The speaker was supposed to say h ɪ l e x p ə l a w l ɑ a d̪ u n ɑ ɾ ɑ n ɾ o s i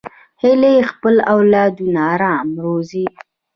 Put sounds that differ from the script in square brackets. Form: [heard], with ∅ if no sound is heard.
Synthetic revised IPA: h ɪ l e x p ə l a w l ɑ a d̪ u n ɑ ɾ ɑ [m] ɾ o [z] i